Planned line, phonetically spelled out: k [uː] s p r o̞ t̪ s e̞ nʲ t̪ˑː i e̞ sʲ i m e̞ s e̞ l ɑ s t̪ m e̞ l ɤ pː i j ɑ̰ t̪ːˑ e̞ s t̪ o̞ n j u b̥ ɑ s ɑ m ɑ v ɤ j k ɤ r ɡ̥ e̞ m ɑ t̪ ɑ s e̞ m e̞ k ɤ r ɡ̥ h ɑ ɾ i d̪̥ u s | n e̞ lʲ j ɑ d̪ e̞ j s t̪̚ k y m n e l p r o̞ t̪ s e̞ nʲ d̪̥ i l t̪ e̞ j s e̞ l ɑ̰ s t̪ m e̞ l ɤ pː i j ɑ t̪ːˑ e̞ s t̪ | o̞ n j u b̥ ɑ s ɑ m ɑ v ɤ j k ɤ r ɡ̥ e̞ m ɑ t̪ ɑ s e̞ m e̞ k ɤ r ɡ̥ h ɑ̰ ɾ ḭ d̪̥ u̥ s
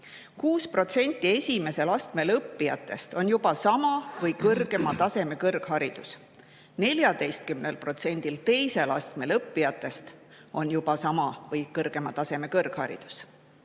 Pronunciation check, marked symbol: correct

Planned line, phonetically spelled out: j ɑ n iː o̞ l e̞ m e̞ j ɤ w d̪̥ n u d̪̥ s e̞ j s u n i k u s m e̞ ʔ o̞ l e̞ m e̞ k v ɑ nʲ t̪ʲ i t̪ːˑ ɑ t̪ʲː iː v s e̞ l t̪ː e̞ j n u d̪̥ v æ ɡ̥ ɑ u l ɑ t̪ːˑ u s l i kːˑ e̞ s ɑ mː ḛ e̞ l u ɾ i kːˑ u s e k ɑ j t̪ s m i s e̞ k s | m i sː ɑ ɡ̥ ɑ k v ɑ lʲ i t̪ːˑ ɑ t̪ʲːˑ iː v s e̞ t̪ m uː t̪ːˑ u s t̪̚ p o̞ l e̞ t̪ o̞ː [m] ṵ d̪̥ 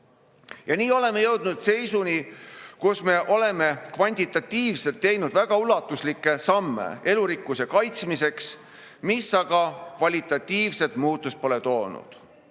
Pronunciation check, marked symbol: incorrect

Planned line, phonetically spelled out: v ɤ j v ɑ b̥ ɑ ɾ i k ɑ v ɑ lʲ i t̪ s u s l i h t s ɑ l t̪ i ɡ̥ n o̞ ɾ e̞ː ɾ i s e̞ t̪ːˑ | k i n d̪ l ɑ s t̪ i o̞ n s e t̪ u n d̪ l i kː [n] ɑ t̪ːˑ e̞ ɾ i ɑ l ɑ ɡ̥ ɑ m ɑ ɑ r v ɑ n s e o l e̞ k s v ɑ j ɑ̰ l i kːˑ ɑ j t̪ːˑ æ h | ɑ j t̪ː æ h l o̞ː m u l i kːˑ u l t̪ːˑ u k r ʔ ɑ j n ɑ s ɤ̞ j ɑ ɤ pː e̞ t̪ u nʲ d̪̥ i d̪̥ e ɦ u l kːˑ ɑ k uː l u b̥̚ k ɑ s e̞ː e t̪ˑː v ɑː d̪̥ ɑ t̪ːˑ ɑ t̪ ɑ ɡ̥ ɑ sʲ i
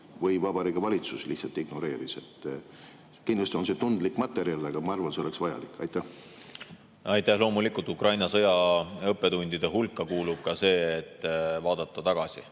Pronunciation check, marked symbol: incorrect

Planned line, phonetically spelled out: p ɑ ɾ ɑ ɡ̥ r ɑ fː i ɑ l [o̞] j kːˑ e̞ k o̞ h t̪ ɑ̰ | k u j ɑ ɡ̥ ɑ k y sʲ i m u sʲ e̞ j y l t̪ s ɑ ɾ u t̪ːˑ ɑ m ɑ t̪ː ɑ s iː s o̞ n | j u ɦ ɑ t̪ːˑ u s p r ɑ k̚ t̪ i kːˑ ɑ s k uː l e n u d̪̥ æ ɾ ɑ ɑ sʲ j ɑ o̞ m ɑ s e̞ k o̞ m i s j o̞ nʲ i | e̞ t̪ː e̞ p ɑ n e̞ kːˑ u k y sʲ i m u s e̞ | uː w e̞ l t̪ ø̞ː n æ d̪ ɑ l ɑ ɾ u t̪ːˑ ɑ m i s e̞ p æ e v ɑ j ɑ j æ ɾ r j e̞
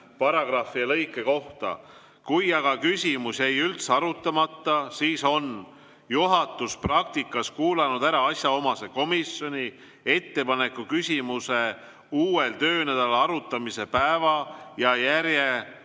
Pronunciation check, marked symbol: incorrect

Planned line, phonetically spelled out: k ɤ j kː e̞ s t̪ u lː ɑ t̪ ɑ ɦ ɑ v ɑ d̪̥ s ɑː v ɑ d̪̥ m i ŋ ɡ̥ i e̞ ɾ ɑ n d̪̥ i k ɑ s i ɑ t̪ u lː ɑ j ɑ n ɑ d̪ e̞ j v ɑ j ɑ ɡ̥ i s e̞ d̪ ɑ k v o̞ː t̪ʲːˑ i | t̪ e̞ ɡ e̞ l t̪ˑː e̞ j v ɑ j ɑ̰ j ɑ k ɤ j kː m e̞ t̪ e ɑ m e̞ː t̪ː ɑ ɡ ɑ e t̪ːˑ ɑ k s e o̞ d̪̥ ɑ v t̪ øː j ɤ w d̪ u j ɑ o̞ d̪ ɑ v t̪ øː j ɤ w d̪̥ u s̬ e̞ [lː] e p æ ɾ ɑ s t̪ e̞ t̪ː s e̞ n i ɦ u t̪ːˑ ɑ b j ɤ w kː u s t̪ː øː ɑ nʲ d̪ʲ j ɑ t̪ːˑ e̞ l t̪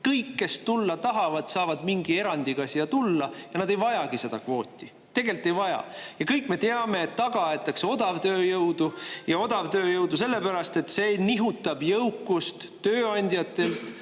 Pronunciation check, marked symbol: correct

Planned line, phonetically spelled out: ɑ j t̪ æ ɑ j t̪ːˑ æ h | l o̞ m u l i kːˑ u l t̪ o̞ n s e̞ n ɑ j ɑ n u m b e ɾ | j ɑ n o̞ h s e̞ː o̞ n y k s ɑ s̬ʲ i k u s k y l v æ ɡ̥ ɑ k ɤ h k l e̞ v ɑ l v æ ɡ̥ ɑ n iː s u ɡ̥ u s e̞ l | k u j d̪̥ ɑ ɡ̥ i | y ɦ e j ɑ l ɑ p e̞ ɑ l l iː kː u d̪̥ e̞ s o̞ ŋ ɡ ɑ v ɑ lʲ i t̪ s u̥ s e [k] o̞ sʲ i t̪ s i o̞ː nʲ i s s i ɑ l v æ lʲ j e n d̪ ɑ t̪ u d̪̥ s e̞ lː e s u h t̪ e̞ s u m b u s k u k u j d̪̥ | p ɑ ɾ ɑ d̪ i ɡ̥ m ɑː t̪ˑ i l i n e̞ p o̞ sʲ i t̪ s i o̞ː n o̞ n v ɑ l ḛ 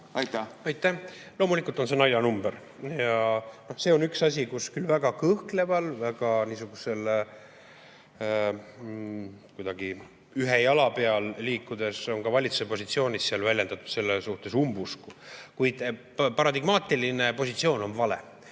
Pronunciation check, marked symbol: incorrect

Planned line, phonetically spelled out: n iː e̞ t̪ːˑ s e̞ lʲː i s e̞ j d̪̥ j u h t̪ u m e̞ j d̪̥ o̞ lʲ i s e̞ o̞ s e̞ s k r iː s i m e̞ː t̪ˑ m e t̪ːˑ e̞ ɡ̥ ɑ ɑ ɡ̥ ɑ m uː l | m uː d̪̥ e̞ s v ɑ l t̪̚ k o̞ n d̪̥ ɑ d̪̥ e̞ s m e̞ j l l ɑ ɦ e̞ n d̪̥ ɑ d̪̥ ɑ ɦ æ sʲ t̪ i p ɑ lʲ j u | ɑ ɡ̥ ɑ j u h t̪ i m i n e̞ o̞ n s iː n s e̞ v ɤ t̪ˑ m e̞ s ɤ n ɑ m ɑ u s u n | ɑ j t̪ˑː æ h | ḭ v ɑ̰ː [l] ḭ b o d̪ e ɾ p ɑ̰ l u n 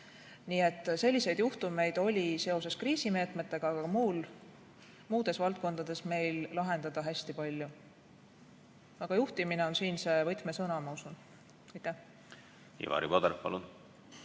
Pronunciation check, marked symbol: incorrect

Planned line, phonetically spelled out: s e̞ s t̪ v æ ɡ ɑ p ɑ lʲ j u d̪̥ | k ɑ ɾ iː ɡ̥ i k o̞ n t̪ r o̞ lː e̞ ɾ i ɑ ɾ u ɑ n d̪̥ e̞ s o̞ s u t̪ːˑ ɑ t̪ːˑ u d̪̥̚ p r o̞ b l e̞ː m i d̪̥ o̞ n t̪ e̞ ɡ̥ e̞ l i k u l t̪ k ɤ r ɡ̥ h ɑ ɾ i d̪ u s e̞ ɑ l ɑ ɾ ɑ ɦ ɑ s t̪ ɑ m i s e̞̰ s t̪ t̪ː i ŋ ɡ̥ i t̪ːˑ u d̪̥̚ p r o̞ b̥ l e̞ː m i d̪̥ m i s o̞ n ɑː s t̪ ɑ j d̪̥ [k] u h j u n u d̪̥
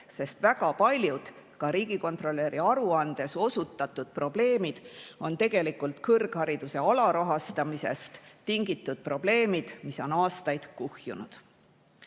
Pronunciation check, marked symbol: correct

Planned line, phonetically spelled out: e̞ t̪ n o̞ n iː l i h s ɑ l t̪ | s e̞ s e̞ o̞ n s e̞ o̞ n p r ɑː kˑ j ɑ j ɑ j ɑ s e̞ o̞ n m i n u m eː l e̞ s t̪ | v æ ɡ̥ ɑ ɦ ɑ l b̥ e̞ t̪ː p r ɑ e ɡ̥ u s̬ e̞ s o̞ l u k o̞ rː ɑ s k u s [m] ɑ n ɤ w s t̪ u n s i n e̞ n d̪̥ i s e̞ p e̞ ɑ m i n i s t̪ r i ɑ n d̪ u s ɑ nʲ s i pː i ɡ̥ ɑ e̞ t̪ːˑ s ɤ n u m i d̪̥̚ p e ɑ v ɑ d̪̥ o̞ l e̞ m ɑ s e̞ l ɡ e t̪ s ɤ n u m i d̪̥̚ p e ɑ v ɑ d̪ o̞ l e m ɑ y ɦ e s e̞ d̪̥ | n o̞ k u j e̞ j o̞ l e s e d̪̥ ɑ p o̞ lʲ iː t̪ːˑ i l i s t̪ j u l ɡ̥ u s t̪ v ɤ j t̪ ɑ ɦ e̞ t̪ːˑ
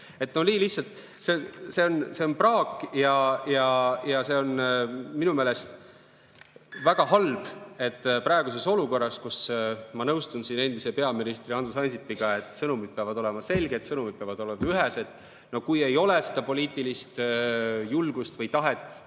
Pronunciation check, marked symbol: correct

